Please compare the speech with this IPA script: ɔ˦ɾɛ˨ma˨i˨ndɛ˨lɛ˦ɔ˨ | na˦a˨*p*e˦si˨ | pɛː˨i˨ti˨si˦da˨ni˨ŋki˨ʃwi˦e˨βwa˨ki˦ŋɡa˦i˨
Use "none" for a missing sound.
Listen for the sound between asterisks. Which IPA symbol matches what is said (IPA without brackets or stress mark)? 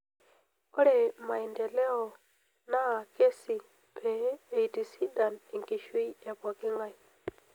k